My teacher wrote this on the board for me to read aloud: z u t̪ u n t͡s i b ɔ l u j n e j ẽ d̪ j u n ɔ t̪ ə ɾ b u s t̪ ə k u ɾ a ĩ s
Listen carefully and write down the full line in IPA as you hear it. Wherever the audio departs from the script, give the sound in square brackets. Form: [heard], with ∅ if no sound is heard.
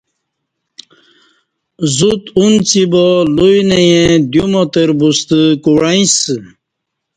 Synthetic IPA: z u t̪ u n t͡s i b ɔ l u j n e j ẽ d̪ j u [m] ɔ t̪ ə ɾ b u s t̪ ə k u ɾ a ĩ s